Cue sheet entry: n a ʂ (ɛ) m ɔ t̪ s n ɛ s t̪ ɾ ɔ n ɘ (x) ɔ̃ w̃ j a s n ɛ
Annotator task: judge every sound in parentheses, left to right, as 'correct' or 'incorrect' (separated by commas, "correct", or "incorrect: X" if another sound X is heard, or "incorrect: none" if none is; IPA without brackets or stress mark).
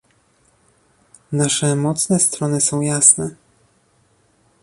correct, incorrect: s